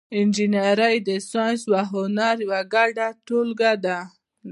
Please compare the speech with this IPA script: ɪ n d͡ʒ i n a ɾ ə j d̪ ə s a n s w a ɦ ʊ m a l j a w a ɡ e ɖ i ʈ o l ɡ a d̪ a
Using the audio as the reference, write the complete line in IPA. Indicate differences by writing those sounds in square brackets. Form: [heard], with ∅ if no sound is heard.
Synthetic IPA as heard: ɪ n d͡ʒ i n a ɾ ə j d̪ ə s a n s w a ɦ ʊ [n] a [ɾ] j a w a ɡ [a] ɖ [a] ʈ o l ɡ a d̪ a